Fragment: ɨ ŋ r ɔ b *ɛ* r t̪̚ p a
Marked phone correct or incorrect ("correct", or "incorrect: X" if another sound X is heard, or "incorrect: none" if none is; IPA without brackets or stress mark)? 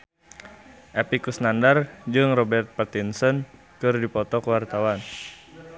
correct